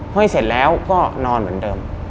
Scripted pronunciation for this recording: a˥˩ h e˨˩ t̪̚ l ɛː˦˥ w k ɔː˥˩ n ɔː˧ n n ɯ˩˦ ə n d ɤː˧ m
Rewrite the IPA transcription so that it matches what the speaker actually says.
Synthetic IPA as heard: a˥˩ s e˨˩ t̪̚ l ɛː˦˥ w k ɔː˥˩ n ɔː˧ n m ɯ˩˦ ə n d ɤː˧ m